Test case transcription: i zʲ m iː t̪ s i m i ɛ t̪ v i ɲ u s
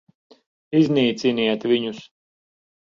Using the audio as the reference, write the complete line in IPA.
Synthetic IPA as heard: i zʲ n iː t̪ s i n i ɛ t̪ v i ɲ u s